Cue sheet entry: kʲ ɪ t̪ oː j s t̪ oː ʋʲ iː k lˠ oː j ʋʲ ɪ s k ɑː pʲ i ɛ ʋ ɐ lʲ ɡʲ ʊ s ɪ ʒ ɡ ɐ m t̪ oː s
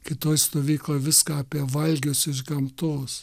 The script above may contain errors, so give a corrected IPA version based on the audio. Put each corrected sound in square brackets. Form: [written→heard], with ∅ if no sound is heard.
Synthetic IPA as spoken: kʲ ɪ t̪ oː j s t̪ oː ʋʲ iː k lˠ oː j ʋʲ ɪ s k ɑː pʲ i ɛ ʋ ɐ lʲ ɡʲ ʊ s ɪ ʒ ɡ ɐ m t̪ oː s